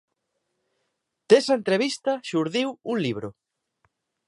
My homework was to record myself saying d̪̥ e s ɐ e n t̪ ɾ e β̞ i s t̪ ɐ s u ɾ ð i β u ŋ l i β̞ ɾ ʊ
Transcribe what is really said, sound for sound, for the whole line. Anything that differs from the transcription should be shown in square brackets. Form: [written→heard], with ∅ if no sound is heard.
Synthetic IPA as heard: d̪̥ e s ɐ e n t̪ ɾ e β̞ i s t̪ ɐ [s→ʃ] u ɾ ð i [β→w] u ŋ l i β̞ ɾ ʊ